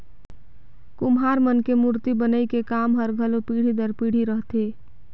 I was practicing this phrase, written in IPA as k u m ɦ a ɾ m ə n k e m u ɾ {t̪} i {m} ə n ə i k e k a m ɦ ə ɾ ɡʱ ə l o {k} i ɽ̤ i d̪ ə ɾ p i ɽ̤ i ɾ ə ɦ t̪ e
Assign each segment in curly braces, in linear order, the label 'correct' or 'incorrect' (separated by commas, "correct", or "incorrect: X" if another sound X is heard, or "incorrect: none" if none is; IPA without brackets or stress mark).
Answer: correct, incorrect: b, incorrect: p